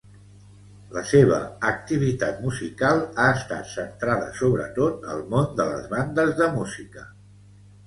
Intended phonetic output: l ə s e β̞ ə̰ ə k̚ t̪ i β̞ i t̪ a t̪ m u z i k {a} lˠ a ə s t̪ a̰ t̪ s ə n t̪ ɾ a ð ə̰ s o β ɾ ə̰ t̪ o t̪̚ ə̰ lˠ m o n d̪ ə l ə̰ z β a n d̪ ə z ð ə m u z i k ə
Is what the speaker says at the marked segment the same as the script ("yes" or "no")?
yes